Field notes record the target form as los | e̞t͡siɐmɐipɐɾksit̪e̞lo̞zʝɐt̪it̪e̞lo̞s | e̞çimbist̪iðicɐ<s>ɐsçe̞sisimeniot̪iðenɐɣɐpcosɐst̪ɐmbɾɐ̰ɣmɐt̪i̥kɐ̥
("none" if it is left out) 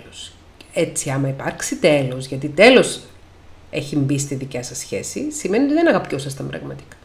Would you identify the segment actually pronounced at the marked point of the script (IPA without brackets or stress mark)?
s